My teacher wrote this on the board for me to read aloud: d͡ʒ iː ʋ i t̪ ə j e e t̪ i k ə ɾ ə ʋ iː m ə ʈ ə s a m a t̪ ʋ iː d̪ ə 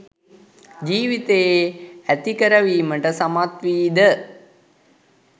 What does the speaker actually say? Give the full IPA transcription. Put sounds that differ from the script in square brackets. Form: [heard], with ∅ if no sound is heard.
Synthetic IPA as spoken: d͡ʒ iː ʋ i t̪ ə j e [æ] t̪ i k ə ɾ ə ʋ iː m ə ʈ ə s a m a t̪ ʋ iː d̪ ə